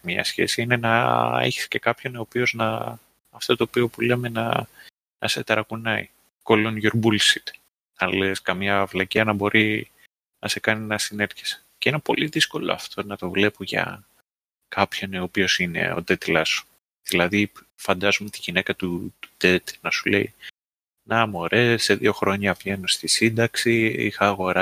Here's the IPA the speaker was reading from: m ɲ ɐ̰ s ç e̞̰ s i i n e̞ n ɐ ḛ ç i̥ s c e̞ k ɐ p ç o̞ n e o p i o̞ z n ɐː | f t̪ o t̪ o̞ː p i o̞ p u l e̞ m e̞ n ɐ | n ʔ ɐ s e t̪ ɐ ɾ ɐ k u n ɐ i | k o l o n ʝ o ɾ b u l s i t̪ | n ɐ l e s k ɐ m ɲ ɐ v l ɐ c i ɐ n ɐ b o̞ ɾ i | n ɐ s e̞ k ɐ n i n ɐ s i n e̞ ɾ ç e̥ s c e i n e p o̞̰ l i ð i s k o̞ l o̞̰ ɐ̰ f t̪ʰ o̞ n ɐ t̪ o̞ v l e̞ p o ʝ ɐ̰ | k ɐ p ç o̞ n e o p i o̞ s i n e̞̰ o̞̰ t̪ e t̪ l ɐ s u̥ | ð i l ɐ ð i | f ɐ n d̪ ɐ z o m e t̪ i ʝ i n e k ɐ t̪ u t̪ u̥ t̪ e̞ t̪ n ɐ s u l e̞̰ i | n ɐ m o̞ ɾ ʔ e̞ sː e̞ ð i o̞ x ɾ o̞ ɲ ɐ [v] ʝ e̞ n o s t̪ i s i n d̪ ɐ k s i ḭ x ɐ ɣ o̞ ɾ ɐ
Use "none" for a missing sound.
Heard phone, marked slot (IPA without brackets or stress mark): v